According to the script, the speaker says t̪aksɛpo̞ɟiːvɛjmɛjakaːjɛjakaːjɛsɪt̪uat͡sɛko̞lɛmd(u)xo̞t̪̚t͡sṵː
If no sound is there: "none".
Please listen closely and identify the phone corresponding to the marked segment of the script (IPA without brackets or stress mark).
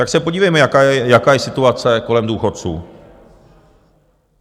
uː